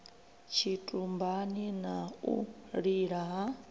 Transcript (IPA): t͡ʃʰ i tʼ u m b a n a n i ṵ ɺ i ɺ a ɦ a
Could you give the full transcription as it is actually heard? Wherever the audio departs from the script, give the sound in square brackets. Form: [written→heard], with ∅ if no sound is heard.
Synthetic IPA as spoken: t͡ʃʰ i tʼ u m b a n [a→i] n [i→a] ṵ ɺ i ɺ a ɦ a